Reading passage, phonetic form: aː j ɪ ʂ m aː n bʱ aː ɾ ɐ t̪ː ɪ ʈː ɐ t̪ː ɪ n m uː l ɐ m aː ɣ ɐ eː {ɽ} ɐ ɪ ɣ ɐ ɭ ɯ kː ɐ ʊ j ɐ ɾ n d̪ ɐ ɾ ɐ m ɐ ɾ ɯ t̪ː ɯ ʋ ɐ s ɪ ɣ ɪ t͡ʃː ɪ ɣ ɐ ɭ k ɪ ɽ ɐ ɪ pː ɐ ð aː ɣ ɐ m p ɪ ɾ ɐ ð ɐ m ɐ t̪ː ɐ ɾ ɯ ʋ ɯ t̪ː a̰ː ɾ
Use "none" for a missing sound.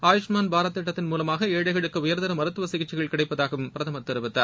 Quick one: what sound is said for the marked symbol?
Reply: ɽ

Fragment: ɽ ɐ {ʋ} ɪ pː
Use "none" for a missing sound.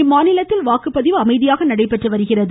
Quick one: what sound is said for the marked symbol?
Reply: none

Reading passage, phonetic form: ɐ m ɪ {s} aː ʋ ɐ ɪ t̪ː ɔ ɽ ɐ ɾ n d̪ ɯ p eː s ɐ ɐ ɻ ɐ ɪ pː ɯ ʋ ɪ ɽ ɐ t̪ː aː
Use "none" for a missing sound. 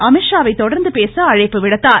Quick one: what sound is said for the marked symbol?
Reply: ʂ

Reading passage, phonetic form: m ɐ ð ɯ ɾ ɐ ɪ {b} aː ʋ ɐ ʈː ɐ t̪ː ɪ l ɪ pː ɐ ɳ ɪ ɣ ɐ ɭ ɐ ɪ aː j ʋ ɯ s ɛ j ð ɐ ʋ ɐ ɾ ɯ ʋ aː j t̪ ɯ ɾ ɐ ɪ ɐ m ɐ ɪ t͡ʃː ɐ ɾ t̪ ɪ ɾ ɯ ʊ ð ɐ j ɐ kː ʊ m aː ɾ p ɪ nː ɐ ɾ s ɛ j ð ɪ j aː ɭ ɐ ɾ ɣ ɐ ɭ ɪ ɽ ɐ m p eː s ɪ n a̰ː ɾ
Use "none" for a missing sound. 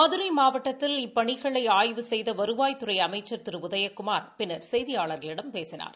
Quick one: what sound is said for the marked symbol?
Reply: m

